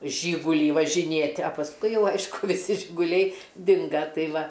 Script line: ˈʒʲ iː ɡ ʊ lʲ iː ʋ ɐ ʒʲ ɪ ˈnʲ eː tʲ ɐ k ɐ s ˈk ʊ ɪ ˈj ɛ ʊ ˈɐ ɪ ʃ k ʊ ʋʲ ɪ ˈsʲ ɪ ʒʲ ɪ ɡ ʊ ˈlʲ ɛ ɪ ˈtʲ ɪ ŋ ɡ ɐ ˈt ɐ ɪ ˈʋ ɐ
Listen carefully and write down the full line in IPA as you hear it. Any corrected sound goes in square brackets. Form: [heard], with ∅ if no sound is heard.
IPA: ˈʒʲ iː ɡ ʊ lʲ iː ʋ ɐ ʒʲ ɪ ˈnʲ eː tʲ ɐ [p] ɐ s ˈk ʊ ɪ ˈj ɛ ʊ ˈɐ ɪ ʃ k ʊ ʋʲ ɪ ˈsʲ ɪ ʒʲ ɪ ɡ ʊ ˈlʲ ɛ ɪ [ˈdʲ] ɪ ŋ ɡ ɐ ˈt ɐ ɪ ˈʋ ɐ